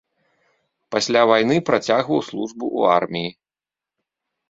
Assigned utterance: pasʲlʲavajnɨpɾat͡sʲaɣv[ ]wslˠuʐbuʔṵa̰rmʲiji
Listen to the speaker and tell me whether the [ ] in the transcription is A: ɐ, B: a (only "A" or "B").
A